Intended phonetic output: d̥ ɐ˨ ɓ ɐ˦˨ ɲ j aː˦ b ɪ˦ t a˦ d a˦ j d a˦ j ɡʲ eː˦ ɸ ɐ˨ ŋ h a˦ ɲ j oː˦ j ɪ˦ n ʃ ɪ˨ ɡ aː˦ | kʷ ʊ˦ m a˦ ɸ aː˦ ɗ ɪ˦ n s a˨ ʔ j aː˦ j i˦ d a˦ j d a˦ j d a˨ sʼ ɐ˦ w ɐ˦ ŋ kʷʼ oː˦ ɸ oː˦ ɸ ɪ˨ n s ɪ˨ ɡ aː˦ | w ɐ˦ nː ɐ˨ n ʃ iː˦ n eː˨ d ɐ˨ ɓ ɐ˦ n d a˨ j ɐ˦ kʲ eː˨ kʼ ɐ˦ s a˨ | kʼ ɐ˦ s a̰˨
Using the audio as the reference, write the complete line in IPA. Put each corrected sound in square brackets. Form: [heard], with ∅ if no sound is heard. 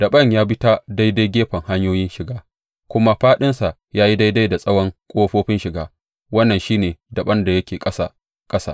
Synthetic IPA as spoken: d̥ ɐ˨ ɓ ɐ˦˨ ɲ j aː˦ b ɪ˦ t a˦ d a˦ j d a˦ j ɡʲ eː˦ ɸ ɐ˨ ŋ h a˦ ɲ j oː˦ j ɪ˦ n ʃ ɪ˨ ɡ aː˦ | kʷ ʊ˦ m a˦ ɸ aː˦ ɗ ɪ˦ n s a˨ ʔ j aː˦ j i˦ d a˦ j d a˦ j d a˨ sʼ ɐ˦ w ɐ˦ ŋ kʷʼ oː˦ ɸ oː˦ ɸ [ɪ˦] n [ʃ] ɪ˨ ɡ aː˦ | w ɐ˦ nː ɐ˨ n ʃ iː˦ n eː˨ d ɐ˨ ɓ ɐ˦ n d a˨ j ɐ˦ kʲ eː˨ kʼ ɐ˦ s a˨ | kʼ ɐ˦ s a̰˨